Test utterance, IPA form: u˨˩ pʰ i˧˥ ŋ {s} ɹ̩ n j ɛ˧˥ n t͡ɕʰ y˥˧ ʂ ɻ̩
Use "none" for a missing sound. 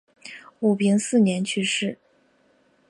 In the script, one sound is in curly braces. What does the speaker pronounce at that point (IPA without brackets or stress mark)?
s